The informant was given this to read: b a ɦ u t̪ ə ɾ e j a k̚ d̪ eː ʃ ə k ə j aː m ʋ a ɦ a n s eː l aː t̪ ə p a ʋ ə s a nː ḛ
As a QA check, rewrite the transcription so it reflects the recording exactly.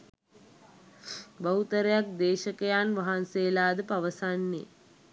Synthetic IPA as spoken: b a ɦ u t̪ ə ɾ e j a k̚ d̪ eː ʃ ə k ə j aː n ʋ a ɦ a n s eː l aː d̪ ə p a ʋ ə s a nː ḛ

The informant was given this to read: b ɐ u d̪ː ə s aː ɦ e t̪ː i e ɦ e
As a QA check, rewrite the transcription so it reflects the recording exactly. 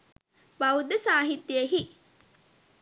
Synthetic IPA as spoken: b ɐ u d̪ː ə s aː ɦ i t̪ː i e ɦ i

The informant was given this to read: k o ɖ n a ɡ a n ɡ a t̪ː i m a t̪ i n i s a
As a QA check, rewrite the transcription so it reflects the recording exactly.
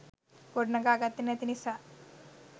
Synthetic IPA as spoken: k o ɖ n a ɡ a ɡ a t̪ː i n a t̪ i n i s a

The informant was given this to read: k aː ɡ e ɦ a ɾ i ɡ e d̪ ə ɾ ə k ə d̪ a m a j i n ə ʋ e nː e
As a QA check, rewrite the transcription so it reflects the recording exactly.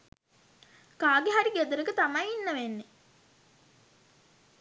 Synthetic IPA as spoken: k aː ɡ e ɦ a ɾ i ɡ e d̪ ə ɾ ə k ə t̪ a m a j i nː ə ʋ e nː e

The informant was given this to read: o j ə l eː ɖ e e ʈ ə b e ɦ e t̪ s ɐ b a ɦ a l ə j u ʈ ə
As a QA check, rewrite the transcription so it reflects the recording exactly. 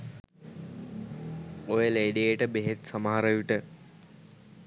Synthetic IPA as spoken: o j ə l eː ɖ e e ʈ ə b e ɦ e t̪ s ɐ m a ɦ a ɾ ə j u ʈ ə

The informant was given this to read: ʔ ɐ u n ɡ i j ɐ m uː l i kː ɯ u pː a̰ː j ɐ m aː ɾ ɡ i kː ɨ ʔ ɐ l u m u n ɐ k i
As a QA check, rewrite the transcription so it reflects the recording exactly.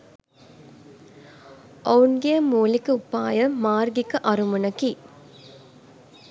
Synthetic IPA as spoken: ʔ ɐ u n ɡ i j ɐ m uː l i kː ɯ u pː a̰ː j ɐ m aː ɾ ɡ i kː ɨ ʔ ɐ ɾ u m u n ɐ k i

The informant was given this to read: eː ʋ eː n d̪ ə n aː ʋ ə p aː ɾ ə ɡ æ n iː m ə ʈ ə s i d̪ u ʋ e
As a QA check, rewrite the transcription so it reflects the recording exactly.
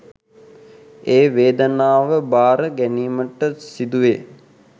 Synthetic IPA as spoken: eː ʋ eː d̪ ə n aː ʋ ə b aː ɾ ə ɡ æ n iː m ə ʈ ə s i d̪ u ʋ e

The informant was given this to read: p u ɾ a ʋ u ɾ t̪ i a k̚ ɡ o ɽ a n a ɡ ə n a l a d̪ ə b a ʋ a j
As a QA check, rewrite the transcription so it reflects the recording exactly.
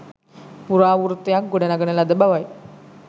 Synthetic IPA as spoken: p u ɾ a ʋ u ɾ t̪ j a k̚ ɡ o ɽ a n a ɡ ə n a l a d̪ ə b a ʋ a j

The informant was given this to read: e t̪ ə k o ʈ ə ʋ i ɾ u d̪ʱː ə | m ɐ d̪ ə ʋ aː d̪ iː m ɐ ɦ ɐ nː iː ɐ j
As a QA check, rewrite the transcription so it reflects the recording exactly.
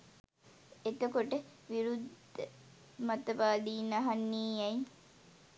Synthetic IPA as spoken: e t̪ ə k o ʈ ə ʋ i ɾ u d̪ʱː ə | m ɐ t̪ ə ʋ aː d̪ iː n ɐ ɦ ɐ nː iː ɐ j

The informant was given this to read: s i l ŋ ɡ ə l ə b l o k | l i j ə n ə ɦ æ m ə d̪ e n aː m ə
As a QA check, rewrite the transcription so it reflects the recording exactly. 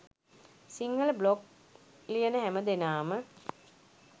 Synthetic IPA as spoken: s i ŋ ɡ ə l ə b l o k | l i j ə n ə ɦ æ m ə d̪ e n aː m ə

